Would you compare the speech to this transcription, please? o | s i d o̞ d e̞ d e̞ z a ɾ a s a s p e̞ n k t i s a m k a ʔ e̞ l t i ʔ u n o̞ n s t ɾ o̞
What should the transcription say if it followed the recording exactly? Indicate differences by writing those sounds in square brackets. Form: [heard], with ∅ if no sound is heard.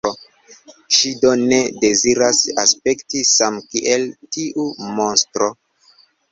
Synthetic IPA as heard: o | [ʃ] i d o̞ [n] e̞ d e̞ z [i] ɾ a s a s p e̞ [∅] k t i s a m k [i] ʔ e̞ l t i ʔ u [m] o̞ n s t ɾ o̞